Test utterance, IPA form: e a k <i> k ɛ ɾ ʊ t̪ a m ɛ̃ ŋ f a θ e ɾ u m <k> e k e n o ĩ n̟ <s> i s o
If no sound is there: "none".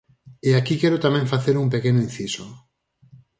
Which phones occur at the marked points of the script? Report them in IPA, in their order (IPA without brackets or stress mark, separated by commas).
i, p, θ